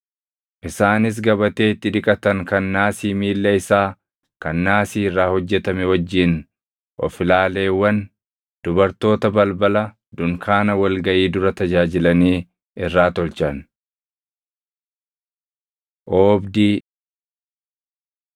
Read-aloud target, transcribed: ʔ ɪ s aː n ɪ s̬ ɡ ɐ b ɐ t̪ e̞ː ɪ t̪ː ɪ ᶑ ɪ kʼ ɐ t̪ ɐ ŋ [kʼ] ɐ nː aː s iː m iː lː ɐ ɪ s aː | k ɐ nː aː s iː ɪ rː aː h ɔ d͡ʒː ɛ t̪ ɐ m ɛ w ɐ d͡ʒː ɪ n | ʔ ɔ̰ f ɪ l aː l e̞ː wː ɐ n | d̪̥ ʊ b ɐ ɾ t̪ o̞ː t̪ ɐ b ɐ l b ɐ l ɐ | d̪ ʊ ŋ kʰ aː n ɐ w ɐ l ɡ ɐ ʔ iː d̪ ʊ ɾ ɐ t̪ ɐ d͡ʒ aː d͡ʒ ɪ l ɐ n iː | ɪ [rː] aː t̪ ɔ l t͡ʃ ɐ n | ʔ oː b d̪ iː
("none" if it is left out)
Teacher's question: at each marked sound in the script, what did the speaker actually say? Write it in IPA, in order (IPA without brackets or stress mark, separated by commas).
k, rː